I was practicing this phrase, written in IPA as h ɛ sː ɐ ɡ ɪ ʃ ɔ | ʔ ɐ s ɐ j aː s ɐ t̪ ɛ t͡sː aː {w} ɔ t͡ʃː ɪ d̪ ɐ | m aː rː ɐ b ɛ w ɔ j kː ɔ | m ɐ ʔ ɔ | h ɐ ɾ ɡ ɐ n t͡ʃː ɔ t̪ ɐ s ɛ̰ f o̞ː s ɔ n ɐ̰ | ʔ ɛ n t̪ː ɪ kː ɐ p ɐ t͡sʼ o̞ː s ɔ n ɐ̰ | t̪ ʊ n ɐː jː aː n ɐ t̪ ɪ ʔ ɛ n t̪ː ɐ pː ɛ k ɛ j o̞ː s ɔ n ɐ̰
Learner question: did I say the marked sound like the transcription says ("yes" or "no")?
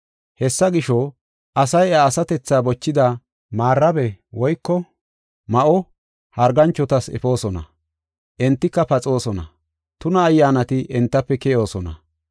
no